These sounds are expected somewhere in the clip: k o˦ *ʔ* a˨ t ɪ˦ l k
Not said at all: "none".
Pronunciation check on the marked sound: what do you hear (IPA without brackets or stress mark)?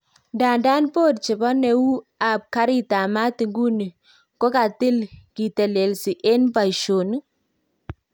k